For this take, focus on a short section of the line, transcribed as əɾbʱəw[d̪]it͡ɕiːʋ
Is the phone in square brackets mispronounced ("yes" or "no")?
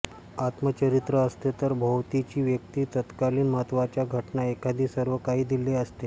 yes